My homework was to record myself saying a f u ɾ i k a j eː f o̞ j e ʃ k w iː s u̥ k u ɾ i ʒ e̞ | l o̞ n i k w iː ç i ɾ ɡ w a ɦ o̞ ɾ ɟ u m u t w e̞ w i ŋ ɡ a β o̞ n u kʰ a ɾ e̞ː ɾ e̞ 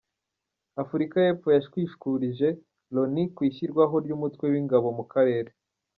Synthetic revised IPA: a f u ɾ i k a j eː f o̞ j a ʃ k w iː ʃ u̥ k u ɾ i ʒ e̞ | l o̞ n i k w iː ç i ɾ ɡ w a ɦ o̞ ɾ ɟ u m u t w e̞ w i ŋ ɡ a β o̞ m u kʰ a ɾ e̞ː ɾ e̞

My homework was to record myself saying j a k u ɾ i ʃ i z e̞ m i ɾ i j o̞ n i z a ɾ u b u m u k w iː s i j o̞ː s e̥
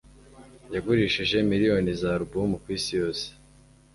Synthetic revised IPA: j a ɡ u ɾ i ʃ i ʒ e̞ m i ɾ i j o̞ n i z a ɾ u b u m u k w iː s i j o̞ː s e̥

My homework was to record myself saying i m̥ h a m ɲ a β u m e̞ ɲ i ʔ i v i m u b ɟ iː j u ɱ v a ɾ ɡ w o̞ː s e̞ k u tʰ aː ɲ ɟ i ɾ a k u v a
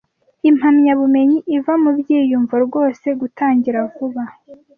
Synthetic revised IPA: i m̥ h a m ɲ a β u m e̞ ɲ i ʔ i v a m u b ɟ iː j u ɱ v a ɾ ɡ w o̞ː s e̞ ɡ u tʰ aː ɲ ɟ i ɾ a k u β a

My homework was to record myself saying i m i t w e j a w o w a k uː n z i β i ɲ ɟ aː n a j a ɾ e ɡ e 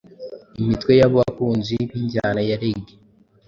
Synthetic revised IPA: i m i t w e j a β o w a k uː n z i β i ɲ ɟ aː n a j a ɾ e ɡ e

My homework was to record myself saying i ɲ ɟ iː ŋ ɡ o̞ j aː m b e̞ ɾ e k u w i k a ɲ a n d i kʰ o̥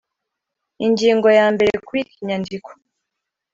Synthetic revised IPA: i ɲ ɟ iː ŋ ɡ o̞ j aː m b e̞ ɾ e k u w i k i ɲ a n d i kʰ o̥

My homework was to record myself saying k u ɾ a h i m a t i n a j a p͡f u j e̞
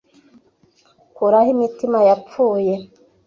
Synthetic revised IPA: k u ɾ a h i m i t i m a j a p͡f uː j e̞

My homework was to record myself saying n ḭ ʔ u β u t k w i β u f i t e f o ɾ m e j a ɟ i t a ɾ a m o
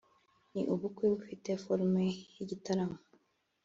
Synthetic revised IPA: n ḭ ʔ u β u k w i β u f i t e f o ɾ m e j i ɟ i t a ɾ a m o

